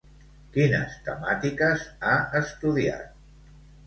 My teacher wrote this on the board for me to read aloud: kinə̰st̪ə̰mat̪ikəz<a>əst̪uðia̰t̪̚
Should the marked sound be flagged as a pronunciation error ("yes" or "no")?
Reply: no